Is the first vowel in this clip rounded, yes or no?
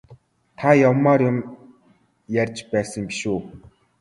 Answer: no